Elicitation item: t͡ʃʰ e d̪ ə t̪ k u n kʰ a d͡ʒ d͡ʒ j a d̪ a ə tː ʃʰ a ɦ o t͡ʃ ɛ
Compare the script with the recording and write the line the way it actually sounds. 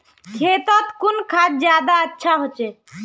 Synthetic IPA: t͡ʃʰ e t̪ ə t̪ k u n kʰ a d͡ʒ d͡ʒ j a d̪ a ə tː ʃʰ a ɦ o t͡ʃ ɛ